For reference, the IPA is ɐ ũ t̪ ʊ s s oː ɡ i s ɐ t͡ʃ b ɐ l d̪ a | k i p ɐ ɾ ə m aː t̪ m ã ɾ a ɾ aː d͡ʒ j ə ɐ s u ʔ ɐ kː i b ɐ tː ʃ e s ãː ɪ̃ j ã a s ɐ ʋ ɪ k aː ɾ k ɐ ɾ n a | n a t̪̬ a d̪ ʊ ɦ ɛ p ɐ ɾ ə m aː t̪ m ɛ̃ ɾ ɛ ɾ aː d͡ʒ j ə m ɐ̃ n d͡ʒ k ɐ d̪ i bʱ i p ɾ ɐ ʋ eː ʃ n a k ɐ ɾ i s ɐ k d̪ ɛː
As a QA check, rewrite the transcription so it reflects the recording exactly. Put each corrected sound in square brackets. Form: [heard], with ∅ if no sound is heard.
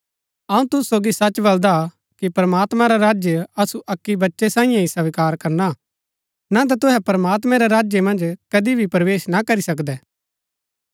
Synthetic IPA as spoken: ɐ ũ t̪ ʊ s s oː ɡ i s ɐ t͡ʃ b ɐ l d̪ a | k i p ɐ ɾ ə m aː t̪ m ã ɾ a ɾ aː d͡ʒ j ə ɐ s u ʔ ɐ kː i b ɐ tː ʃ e s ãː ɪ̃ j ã [i] s ɐ ʋ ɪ k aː ɾ k ɐ ɾ n a | n a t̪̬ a [t̪] ʊ ɦ ɛ p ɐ ɾ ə m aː t̪ m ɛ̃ ɾ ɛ ɾ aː d͡ʒ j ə m ɐ̃ n d͡ʒ k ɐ d̪ i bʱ i p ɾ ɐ ʋ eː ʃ n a k ɐ ɾ i s ɐ k d̪ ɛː